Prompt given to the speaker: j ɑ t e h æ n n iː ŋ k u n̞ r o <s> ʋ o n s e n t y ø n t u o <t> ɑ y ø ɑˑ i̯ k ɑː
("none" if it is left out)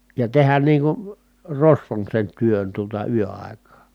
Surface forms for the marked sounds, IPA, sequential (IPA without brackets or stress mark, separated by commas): s, t